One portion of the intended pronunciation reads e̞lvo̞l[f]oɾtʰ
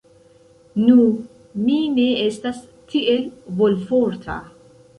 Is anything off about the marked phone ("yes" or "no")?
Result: no